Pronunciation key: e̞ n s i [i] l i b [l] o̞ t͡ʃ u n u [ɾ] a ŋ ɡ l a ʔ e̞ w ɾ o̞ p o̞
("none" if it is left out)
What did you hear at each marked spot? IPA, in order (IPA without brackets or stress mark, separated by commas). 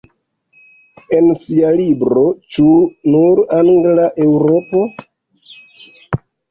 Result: a, ɾ, ɾ